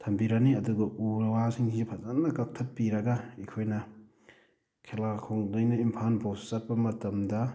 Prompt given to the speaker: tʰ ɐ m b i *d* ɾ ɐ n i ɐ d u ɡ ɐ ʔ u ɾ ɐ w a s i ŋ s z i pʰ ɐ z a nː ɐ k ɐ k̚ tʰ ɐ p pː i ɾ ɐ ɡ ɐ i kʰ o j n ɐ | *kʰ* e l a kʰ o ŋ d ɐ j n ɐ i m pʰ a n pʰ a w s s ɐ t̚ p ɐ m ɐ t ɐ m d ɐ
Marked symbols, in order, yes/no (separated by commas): no, yes